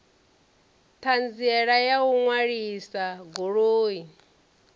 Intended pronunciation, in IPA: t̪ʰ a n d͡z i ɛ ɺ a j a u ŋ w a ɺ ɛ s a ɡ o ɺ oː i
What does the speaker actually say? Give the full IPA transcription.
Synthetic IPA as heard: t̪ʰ a n d͡z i ɛ ɺ a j a u ŋ w a ɺ i s a ɡ o ɺ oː i